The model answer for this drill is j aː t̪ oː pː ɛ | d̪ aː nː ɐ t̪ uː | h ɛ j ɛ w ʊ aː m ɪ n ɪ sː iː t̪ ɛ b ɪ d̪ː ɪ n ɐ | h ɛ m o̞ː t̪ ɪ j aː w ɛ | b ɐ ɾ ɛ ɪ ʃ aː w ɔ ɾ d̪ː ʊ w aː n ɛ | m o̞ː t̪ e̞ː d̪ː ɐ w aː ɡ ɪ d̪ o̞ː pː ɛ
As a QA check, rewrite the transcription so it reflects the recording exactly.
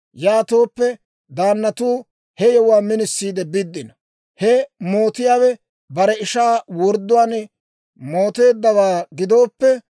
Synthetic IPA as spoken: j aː t̪ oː pː ɛ | d̪ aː nː ɐ t̪ uː | h ɛ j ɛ w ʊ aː m ɪ n ɪ sː iː d̪ ɛ b ɪ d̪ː ɪ n ɐ | h ɛ m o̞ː t̪ ɪ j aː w ɛ | b ɐ ɾ ɛ ɪ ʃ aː w ɔ ɾ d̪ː ʊ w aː n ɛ | m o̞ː t̪ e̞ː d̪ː ɐ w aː ɡ ɪ d̪ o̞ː pː ɛ